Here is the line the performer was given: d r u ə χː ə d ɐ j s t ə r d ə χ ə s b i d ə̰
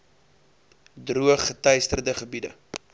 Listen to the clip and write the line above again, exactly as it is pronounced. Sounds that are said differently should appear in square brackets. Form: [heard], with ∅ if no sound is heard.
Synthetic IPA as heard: d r u ə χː ə [t] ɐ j s t ə r d ə χ ə [∅] b i d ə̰